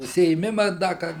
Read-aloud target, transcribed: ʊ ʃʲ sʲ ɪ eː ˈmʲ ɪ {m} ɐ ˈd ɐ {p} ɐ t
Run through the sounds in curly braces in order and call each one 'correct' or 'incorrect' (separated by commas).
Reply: correct, incorrect